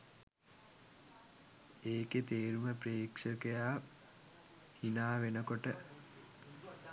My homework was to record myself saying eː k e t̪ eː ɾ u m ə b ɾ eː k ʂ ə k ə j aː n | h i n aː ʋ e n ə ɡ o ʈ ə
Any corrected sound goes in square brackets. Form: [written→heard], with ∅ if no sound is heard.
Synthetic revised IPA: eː k e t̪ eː ɾ u m ə [b→p] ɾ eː k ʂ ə k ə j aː [n→∅] | h i n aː ʋ e n ə [ɡ→k] o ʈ ə